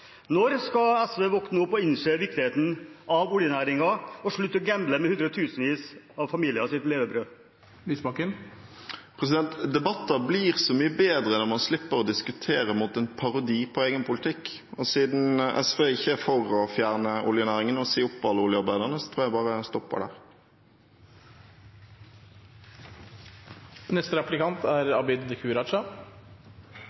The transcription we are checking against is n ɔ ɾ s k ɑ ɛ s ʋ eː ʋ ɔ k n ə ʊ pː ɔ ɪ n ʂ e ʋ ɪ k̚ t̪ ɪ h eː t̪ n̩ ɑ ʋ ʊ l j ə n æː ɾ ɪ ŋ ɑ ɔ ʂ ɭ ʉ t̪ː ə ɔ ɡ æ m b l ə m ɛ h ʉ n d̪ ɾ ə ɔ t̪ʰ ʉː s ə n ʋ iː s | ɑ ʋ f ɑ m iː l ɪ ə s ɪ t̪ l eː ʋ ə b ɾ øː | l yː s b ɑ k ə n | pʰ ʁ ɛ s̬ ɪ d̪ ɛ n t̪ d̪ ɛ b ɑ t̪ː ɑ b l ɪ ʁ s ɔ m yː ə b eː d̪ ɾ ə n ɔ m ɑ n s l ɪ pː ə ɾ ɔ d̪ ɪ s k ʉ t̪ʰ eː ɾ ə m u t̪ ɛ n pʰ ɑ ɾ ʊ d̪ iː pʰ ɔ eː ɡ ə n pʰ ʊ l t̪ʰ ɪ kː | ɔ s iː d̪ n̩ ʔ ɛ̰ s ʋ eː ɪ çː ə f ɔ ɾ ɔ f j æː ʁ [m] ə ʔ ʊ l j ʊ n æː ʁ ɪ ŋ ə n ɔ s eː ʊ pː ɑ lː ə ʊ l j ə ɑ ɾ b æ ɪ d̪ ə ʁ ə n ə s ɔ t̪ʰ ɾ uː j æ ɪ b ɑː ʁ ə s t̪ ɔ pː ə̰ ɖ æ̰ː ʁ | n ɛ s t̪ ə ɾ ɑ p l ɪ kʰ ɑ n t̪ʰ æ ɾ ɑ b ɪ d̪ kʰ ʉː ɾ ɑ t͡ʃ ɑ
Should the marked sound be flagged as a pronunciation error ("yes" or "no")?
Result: yes